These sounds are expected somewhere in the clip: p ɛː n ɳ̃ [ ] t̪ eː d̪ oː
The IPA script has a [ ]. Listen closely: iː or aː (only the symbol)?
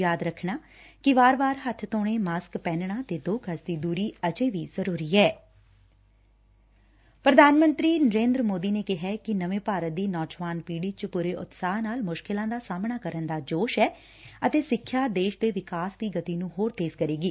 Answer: aː